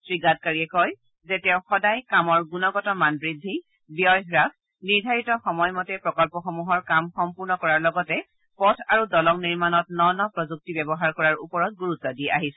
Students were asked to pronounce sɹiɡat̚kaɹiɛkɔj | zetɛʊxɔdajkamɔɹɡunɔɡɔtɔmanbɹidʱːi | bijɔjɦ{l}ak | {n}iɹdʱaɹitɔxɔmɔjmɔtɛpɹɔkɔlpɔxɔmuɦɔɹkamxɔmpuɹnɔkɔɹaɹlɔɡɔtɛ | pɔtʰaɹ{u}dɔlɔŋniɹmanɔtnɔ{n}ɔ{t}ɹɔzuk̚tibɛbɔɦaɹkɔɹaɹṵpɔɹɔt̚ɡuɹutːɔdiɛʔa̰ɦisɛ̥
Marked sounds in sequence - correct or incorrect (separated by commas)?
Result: incorrect, correct, correct, correct, incorrect